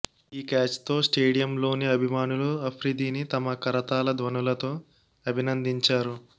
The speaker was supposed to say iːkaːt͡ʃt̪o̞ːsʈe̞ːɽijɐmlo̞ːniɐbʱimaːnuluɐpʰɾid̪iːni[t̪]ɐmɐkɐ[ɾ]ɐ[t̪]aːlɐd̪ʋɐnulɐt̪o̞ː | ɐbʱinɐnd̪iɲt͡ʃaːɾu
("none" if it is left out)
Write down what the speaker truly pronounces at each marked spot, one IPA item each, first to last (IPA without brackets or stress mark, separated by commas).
t̪, ɾ, t̪